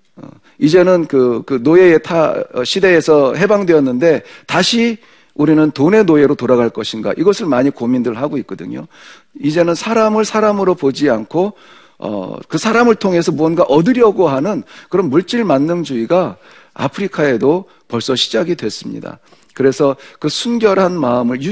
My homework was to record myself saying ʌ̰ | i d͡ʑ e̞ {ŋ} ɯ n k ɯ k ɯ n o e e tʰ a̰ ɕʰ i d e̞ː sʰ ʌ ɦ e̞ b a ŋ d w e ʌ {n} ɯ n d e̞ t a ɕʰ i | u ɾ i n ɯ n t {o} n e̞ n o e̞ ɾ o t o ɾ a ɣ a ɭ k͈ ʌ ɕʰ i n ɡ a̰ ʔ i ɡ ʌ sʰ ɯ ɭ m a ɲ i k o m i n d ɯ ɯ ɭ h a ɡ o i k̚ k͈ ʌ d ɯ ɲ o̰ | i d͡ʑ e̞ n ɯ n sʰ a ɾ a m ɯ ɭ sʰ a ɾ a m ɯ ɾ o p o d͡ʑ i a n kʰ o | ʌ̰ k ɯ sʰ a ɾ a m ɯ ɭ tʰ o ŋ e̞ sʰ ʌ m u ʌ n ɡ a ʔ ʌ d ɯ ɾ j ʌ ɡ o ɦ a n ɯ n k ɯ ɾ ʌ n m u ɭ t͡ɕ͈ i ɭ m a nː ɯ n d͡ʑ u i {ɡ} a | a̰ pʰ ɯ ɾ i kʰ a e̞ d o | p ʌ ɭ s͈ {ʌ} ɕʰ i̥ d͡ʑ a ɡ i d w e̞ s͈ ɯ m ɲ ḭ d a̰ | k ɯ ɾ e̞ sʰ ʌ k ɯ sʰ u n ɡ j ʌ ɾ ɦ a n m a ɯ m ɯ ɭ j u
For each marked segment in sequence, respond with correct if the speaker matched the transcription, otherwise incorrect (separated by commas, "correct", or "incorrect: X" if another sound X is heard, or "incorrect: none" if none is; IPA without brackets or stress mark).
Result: incorrect: n, incorrect: nː, correct, correct, correct